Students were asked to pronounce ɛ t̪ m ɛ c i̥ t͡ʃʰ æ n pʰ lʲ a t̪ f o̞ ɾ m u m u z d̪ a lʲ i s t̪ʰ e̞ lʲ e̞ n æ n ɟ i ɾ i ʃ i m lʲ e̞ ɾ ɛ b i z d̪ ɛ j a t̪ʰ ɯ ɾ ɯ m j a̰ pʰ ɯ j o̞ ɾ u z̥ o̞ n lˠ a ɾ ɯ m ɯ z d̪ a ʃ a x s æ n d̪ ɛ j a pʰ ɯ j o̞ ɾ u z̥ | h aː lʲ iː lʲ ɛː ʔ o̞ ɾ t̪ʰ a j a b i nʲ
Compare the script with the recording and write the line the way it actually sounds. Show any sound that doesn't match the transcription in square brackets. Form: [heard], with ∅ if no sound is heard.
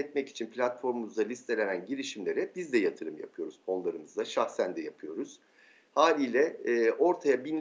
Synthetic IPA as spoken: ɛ t̪ m ɛ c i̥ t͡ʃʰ [i] n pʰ lʲ a t̪ f o̞ ɾ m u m u z d̪ a lʲ i s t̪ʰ e̞ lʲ e̞ n æ n ɟ i ɾ i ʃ i m lʲ e̞ ɾ ɛ b i z d̪ ɛ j a t̪ʰ ɯ ɾ ɯ m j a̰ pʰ ɯ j o̞ ɾ u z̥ o̞ n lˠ a ɾ ɯ m ɯ z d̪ a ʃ a x s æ n d̪ ɛ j a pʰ ɯ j o̞ ɾ u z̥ | h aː lʲ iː lʲ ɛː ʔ o̞ ɾ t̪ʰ a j a b i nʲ